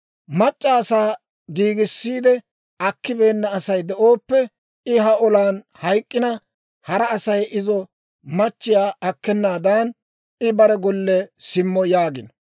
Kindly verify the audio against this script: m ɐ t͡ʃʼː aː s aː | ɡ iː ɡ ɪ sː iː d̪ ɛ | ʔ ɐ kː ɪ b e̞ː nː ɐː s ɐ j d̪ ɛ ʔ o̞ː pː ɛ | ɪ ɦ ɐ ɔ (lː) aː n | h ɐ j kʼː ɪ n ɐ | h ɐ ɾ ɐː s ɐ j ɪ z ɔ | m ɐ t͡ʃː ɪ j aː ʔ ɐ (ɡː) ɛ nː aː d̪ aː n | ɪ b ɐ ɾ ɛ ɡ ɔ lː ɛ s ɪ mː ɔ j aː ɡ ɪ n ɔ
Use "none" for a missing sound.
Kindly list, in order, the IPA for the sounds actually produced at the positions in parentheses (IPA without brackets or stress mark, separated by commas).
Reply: l, kː